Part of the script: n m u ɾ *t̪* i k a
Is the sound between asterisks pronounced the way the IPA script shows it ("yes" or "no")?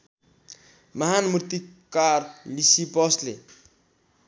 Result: yes